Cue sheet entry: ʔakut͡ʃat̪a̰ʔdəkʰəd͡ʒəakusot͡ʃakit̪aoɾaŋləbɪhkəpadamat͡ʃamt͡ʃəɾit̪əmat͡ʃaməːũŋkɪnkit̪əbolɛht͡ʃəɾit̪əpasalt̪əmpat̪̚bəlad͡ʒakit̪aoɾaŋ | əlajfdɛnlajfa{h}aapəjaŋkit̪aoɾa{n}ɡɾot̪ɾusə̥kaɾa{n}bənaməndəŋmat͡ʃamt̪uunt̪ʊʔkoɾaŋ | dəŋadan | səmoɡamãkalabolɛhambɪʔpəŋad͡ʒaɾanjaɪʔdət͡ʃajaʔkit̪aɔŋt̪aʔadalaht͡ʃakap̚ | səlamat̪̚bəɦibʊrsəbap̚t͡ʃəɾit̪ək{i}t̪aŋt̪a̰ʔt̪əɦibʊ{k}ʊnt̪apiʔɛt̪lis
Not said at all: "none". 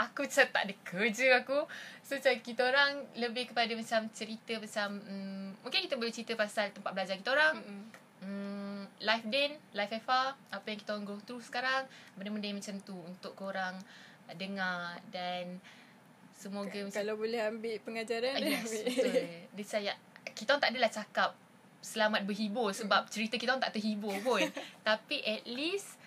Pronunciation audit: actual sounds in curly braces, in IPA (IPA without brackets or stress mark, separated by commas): f, ŋ, ŋ, i, p